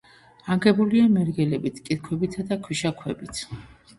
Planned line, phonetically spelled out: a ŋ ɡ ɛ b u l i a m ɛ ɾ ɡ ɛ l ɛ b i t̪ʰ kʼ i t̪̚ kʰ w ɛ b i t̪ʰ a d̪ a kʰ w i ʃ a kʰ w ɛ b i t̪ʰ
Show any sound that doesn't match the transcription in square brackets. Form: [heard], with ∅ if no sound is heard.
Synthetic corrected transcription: a ŋ ɡ ɛ b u l i a m ɛ ɾ ɡ ɛ l ɛ b i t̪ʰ kʼ i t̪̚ kʰ w ɛ b i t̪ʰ a d̪ a kʰ w i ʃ a kʰ w ɛ b i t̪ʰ

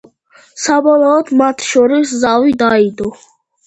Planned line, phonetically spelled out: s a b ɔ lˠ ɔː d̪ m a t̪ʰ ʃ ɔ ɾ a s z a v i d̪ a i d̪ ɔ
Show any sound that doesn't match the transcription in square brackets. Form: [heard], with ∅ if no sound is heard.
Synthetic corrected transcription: s a b ɔ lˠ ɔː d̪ m a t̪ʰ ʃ ɔ ɾ [i] s z a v i d̪ a i d̪ ɔ

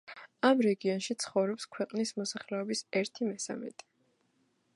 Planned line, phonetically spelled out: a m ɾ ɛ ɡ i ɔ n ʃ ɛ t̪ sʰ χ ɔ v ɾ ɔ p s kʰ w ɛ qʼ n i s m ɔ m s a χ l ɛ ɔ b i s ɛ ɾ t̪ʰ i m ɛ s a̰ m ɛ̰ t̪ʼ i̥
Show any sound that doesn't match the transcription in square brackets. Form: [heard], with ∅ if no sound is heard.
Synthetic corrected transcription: a m ɾ ɛ ɡ i ɔ n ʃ [i] t̪ sʰ χ ɔ v ɾ ɔ p s kʰ w ɛ qʼ n i s m ɔ [∅] s a χ l ɛ ɔ b i s ɛ ɾ t̪ʰ i m ɛ s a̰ m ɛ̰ t̪ʼ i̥

